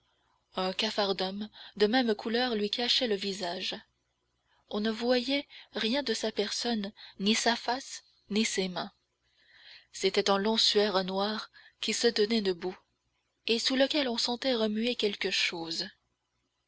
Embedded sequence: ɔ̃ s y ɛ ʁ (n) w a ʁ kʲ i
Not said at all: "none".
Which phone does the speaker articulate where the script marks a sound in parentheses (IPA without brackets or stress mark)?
n